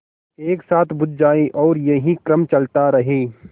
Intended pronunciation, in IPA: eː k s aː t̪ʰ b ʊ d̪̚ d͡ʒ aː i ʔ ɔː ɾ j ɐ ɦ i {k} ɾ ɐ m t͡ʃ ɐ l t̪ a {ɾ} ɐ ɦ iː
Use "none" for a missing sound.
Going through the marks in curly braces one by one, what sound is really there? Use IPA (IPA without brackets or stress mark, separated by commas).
k, ɾ